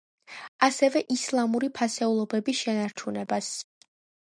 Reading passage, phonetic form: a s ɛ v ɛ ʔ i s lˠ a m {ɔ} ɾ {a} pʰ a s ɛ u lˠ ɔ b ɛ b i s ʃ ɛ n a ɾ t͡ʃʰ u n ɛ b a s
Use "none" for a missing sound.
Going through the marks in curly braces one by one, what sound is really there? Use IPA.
u, i

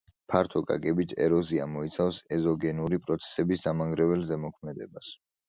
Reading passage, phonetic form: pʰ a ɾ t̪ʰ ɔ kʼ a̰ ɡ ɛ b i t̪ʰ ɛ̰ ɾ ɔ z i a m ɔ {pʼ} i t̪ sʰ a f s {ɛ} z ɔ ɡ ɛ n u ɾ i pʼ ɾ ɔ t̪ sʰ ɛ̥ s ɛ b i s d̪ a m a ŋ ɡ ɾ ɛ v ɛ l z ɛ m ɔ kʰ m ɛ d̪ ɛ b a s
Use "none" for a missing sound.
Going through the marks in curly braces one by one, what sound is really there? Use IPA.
none, ɛ

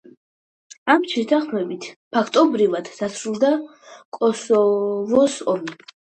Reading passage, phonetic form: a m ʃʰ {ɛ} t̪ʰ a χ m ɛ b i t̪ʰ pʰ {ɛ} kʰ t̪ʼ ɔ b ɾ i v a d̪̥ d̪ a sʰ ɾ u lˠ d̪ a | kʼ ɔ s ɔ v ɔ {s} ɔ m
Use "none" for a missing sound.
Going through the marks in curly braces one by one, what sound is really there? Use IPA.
ɛ, a, s

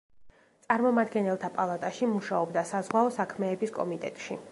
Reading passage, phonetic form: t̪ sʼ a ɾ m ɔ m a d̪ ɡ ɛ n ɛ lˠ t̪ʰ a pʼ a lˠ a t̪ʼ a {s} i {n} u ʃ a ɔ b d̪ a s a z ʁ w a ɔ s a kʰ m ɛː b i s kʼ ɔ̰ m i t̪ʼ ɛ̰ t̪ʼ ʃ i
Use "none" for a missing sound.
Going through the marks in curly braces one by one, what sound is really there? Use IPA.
ʃ, m

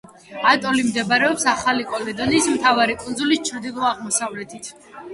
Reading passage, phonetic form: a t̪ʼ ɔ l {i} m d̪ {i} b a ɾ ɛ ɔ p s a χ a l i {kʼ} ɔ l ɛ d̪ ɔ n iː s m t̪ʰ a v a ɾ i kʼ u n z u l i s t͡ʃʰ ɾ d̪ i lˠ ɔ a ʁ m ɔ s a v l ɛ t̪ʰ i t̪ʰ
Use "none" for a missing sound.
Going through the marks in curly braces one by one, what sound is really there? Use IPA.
i, ɛ, kʼ

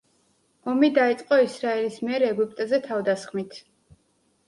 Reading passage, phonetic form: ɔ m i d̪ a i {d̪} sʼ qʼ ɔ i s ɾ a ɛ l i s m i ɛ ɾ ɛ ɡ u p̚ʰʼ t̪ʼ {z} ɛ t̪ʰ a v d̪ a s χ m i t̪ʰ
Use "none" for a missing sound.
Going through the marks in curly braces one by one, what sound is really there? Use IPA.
t̪, z

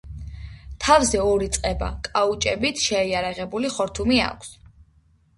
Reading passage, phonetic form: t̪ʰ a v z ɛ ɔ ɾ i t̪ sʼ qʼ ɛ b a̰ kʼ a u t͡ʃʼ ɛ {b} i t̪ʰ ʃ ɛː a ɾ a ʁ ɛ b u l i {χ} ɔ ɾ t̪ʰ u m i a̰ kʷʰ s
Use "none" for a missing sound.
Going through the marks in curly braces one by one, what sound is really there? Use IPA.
b, χ

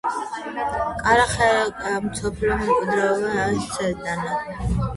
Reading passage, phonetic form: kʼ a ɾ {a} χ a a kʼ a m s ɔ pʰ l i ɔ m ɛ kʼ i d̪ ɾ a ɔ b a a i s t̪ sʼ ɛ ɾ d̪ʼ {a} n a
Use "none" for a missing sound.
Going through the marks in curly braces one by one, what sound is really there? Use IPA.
a, a

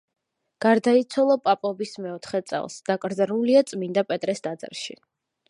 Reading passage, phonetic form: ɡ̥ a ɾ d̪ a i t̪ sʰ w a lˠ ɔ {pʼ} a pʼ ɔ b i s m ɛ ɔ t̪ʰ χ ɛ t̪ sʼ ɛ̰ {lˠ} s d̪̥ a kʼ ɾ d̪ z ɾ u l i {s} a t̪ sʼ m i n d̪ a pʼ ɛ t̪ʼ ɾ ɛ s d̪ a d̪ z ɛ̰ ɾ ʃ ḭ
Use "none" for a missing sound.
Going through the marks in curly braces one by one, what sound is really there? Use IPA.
pʼ, lˠ, none

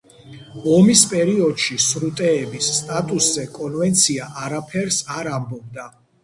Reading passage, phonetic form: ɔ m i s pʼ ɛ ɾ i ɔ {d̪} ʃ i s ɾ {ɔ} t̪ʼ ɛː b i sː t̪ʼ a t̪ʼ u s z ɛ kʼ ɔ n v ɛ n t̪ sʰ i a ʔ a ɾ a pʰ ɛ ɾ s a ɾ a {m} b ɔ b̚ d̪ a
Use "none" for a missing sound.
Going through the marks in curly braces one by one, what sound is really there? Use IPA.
d̪, u, m

